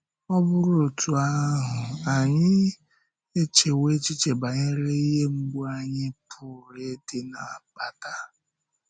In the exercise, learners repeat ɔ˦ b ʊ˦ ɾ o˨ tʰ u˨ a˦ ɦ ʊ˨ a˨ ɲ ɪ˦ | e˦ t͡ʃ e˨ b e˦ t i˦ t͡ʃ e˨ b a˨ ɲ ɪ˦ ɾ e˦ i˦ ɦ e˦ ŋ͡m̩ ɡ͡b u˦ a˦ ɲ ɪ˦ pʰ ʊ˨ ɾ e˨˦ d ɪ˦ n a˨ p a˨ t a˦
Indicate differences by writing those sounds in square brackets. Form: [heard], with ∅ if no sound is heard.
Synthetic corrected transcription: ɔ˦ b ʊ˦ ɾ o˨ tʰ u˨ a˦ ɦ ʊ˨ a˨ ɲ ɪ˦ | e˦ t͡ʃ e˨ [w] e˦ [t͡ʃ] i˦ t͡ʃ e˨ b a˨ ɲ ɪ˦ ɾ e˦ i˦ ɦ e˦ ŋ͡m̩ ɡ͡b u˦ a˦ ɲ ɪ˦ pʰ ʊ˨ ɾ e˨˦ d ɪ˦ n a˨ p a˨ t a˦